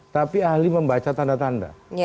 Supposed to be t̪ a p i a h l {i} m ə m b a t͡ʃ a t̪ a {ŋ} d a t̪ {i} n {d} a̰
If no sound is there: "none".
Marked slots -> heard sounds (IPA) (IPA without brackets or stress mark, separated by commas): i, n, a, d